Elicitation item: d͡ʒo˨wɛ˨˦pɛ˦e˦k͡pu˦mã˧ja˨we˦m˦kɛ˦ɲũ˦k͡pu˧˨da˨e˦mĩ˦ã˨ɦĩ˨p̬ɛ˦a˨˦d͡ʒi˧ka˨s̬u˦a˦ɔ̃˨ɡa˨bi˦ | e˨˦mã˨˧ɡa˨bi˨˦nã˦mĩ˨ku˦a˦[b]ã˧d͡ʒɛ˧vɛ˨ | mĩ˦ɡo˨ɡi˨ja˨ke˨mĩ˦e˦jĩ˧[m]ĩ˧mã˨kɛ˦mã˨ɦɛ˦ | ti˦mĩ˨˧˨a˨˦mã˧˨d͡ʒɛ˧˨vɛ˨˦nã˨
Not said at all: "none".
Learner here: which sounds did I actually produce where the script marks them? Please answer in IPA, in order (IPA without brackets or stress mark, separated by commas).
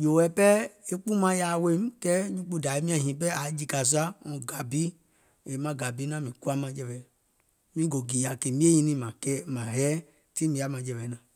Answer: m, n